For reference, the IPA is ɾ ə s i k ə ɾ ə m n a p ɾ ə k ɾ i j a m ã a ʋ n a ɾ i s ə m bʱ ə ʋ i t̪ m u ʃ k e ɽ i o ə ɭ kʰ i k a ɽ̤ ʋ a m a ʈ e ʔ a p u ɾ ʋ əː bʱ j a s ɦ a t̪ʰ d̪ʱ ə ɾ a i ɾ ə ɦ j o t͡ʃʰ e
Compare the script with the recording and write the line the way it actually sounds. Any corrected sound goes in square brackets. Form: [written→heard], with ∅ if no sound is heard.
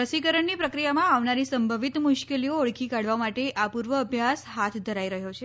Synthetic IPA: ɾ ə s i k ə ɾ ə [m→ɳ] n [a→i] p ɾ ə k ɾ i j a m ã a ʋ n a ɾ i s ə m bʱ ə ʋ i t̪ m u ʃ k e [ɽ→l] i o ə ɭ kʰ i k a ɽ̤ ʋ a m a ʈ e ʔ a p u ɾ ʋ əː bʱ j a s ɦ a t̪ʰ d̪ʱ ə ɾ a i ɾ ə ɦ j o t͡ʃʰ e